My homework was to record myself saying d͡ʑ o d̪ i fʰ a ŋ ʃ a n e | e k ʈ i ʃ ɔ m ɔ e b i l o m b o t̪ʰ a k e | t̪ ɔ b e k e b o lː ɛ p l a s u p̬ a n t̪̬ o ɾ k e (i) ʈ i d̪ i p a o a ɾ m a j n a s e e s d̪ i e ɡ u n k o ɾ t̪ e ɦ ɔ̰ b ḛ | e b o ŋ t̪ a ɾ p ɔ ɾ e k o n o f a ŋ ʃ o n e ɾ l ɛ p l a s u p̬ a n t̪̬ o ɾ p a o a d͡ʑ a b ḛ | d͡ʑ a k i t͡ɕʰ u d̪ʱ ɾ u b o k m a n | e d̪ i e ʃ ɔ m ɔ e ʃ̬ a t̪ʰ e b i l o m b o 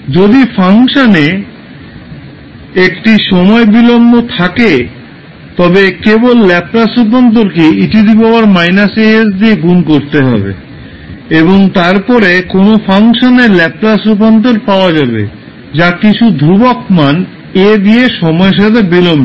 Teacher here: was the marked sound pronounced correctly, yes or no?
yes